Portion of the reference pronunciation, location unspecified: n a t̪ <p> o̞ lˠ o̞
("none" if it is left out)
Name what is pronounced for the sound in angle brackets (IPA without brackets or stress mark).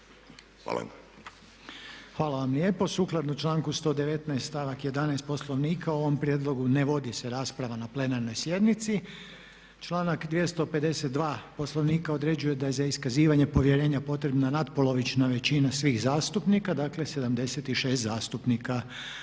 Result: p